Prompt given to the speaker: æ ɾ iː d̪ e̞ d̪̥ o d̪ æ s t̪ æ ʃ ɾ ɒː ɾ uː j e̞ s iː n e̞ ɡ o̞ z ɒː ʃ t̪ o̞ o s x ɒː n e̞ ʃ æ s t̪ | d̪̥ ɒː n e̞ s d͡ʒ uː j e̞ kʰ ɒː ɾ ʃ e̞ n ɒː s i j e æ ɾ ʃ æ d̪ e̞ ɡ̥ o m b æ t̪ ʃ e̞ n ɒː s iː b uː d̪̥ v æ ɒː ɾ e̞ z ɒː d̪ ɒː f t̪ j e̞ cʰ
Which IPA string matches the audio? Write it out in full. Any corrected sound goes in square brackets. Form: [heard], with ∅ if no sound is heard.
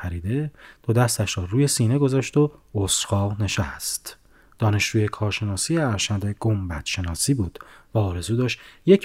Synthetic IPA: æ ɾ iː d̪ e̞ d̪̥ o d̪ æ s t̪ æ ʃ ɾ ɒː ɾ uː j e̞ s iː n e̞ ɡ o̞ z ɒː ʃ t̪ o̞ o s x ɒː n e̞ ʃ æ s t̪ | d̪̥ ɒː n e̞ [ʃ] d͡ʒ uː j e̞ kʰ ɒː ɾ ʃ e̞ n ɒː s i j e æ ɾ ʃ æ d̪ e̞ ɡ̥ o m b æ t̪ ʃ e̞ n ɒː s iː b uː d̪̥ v æ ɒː ɾ e̞ z [uː] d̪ ɒː [ʃ] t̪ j e̞ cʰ